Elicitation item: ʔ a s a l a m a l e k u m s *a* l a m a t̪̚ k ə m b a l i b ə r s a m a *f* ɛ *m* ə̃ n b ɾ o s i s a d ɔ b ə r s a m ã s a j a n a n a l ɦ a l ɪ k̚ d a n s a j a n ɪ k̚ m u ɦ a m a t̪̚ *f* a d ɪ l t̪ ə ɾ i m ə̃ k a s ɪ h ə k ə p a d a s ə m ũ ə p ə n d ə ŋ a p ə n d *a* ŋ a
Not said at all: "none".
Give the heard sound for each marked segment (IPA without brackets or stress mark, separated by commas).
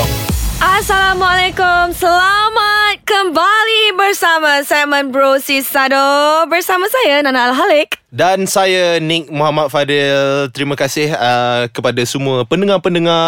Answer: ə, s, m, f, ə